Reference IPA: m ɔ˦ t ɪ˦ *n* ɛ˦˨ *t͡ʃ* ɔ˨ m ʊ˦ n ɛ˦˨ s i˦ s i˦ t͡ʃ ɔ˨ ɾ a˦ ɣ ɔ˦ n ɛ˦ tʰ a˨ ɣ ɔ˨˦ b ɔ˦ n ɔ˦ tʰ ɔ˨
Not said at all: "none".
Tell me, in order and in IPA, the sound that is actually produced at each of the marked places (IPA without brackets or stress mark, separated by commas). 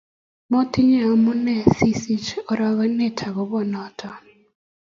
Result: ɲ, none